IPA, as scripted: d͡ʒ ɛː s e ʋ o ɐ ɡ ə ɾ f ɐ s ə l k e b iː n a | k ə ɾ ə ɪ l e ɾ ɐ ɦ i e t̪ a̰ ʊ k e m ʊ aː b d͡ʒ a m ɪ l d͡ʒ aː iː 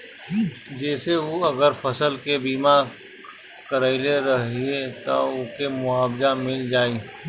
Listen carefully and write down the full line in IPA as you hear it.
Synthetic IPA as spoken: d͡ʒ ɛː s e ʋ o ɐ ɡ ə ɾ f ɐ s ə l k e b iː m a | k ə ɾ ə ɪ l e ɾ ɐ ɦ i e t̪ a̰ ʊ k e m ʊ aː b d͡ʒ a m ɪ l d͡ʒ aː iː